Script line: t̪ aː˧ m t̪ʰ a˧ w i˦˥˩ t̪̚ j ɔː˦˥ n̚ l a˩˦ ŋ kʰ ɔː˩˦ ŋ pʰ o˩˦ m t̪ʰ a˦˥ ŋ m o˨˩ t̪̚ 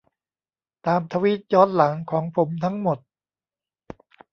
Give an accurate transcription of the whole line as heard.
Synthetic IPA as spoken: t̪ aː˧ m t̪ʰ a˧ w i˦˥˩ t̪̚ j ɔː˦˥ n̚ l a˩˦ ŋ kʰ ɔː˩˦ ŋ pʰ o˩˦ m t̪ʰ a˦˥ ŋ m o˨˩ t̪̚